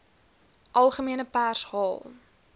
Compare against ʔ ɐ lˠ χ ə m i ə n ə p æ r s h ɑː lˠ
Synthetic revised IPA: ʔ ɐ lˠ χ ə m i ə n ə p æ r s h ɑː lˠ